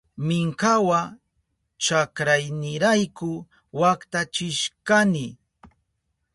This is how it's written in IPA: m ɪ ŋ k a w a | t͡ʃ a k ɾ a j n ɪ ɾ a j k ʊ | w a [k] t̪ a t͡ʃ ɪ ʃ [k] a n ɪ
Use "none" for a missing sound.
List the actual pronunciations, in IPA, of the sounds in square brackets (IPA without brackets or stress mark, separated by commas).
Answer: k, k